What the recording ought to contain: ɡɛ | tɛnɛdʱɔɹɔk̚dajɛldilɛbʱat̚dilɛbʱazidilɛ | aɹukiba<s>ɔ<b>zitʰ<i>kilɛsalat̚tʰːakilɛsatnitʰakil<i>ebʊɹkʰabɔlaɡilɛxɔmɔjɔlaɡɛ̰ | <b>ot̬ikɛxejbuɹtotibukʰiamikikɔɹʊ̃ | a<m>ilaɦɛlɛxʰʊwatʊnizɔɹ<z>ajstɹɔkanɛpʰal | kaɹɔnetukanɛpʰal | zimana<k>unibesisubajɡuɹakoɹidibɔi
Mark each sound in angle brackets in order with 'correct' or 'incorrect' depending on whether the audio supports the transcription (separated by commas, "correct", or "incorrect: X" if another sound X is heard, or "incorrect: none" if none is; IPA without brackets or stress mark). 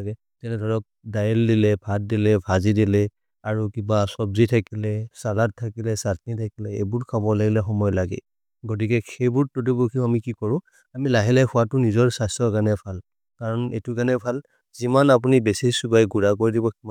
correct, correct, incorrect: a, incorrect: ɛ, incorrect: ɡ, correct, incorrect: s, incorrect: p